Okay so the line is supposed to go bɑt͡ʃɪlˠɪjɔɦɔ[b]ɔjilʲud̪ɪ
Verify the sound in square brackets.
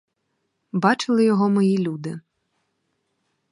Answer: incorrect: m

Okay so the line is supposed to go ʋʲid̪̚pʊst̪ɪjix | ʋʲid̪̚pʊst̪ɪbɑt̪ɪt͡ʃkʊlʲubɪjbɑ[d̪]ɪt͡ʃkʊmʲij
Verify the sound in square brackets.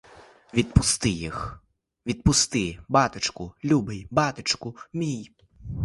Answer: incorrect: t̪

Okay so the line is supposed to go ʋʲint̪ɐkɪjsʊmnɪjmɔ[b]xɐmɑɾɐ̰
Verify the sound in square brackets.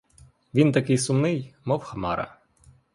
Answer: incorrect: w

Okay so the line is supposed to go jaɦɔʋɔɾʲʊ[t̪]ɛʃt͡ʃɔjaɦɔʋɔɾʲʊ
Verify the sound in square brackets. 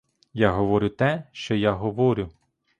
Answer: correct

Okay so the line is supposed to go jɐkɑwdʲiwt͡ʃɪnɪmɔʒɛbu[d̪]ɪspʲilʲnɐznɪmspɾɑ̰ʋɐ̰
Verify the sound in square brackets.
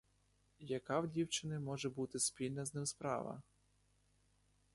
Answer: incorrect: t̪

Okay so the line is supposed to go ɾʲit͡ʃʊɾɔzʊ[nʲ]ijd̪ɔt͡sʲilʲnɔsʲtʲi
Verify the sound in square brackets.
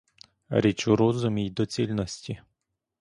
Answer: incorrect: mʲ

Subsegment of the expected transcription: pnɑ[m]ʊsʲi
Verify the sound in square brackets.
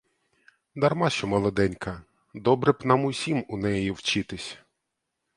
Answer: correct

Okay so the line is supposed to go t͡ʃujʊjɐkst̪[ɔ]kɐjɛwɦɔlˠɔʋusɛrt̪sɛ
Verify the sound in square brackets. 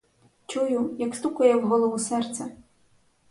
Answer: incorrect: u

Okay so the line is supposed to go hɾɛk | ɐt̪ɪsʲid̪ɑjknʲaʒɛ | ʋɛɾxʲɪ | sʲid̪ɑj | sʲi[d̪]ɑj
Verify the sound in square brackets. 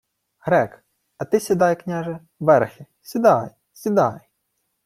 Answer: correct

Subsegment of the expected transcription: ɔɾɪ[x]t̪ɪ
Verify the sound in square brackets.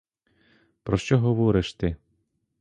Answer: incorrect: ʃ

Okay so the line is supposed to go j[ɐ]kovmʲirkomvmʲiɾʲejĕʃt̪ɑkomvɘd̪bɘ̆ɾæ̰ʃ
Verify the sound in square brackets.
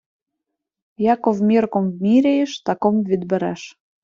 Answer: incorrect: ɑ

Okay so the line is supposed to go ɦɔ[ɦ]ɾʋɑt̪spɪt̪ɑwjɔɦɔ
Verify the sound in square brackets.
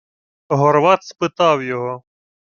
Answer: incorrect: none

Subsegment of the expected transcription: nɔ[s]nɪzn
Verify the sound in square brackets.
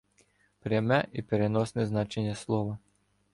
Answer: correct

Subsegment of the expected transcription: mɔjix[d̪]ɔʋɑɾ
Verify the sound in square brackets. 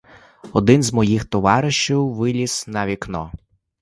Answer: incorrect: t̪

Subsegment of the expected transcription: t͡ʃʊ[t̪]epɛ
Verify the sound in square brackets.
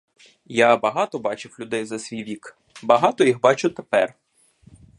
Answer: correct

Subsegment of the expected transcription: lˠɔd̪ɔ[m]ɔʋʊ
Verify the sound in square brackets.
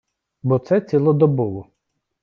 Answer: incorrect: b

